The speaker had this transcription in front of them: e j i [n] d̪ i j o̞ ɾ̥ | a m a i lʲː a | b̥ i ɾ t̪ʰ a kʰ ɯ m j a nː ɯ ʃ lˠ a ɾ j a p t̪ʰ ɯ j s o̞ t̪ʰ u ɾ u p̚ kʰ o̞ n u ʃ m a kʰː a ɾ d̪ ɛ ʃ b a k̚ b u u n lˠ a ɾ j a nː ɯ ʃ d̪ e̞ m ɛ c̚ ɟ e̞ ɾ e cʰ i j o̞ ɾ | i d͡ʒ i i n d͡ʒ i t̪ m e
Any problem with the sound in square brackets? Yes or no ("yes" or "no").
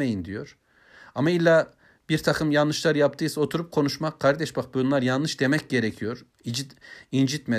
no